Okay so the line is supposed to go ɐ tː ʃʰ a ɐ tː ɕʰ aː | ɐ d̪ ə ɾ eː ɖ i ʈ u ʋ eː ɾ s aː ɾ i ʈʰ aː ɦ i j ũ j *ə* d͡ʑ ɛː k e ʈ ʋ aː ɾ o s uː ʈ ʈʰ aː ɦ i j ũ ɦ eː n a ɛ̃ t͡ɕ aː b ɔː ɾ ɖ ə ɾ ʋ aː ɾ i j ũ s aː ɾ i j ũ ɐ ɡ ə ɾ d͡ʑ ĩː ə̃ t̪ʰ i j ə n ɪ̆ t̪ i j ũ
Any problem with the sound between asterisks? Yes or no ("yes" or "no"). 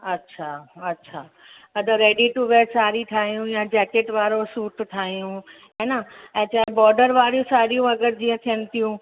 yes